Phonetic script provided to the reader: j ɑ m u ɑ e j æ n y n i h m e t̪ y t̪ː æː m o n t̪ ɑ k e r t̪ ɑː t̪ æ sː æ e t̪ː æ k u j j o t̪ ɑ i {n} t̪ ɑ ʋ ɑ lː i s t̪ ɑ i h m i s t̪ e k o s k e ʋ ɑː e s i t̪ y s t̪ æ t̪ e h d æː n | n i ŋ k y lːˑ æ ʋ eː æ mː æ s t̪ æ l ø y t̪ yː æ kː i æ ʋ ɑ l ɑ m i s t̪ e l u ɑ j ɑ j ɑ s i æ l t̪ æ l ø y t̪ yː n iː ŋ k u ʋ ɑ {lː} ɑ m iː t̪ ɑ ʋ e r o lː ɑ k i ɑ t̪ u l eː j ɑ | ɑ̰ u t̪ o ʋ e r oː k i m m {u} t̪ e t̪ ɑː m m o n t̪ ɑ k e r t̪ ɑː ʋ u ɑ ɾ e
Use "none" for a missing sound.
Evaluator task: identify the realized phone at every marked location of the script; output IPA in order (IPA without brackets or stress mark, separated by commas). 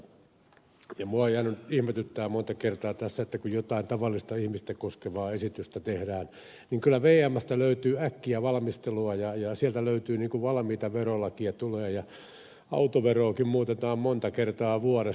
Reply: n, l, uː